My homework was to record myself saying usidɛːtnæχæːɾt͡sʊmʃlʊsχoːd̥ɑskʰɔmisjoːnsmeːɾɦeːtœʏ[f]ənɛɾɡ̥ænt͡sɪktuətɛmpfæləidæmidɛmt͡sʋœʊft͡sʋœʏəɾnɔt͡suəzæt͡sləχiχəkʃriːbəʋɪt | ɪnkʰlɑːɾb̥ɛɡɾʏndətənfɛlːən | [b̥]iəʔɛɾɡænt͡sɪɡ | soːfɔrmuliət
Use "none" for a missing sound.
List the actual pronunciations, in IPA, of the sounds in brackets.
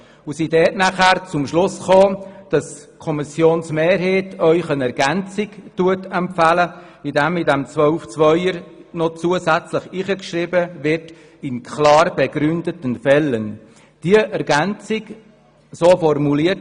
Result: χ, d̥

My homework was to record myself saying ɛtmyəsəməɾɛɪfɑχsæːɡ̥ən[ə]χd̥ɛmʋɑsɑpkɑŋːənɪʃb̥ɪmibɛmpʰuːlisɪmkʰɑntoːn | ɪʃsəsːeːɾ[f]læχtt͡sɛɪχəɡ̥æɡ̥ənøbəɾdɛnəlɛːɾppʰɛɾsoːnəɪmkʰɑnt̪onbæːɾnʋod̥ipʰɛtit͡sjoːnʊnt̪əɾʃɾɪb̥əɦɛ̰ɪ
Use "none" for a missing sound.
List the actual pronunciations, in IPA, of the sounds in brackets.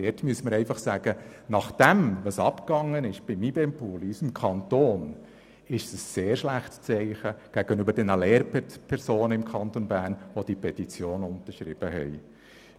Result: ɑ, ʃ

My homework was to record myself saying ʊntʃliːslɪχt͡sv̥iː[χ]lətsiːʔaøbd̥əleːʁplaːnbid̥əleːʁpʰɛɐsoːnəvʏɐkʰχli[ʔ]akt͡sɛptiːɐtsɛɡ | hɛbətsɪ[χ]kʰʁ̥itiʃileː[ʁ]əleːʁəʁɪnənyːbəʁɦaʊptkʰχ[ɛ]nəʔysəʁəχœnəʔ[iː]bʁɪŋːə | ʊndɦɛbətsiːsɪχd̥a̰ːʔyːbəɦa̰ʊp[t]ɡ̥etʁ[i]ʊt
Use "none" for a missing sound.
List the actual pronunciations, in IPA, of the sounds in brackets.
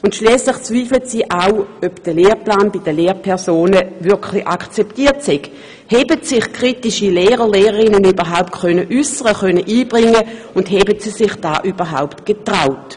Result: f, ʔ, χ, ʁ, œ, iː, t, a

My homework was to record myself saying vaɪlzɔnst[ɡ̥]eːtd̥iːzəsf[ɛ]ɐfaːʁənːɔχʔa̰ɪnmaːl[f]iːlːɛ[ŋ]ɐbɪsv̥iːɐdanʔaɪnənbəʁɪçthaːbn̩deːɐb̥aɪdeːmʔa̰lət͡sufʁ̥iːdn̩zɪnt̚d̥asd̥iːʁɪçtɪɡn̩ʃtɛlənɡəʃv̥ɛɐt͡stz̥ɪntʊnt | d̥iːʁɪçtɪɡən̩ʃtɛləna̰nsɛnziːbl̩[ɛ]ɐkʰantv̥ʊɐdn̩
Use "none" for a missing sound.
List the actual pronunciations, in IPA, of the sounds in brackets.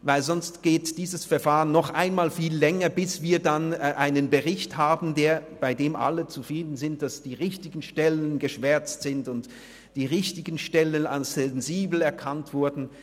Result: ɡ̥, ɛ, f, ŋ, ɛ

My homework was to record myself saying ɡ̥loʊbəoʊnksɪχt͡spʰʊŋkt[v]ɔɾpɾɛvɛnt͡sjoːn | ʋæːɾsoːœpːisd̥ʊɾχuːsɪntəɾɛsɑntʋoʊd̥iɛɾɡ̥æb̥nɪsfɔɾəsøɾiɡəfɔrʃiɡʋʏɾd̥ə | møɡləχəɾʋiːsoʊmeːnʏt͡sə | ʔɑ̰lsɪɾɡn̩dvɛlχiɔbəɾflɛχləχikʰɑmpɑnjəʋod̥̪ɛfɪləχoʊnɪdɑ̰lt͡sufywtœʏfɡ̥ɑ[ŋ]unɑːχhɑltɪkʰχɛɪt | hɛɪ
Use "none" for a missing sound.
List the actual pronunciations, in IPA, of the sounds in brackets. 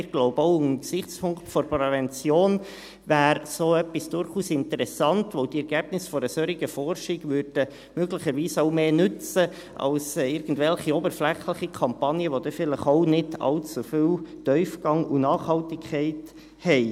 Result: f, ŋ

